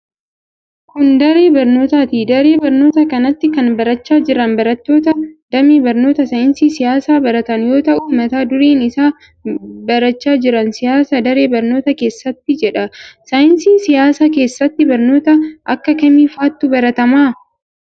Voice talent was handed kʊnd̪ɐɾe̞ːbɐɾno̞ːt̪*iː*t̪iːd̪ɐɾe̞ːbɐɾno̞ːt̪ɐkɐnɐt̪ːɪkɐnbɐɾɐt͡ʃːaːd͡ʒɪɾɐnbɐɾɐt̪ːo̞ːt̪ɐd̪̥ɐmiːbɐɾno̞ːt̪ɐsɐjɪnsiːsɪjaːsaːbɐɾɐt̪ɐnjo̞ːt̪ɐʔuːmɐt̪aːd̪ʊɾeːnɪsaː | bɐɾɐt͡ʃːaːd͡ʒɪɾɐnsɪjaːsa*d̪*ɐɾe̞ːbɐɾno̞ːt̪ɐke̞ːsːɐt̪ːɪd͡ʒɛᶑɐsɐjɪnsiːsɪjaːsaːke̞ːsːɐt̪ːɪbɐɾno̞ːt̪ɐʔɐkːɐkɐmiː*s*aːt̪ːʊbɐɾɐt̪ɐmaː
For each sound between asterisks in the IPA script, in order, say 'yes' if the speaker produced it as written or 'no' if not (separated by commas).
no, yes, no